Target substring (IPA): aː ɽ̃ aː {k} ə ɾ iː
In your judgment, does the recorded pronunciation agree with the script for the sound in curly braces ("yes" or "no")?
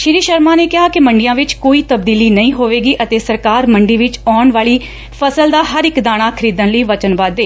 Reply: no